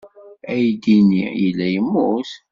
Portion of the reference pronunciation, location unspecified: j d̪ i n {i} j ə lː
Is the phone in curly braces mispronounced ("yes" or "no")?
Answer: no